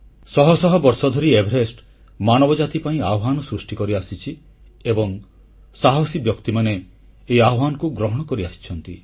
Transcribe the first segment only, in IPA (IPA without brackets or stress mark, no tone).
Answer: s